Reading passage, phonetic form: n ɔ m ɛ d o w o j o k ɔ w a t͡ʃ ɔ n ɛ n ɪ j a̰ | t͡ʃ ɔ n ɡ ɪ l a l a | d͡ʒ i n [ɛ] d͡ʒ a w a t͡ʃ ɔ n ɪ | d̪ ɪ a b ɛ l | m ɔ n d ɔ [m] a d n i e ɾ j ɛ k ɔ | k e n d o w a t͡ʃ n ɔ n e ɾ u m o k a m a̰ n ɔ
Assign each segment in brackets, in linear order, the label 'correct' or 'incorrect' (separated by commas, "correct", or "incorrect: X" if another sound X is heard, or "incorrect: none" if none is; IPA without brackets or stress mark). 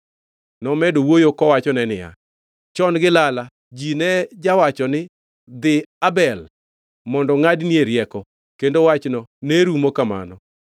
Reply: correct, incorrect: ŋ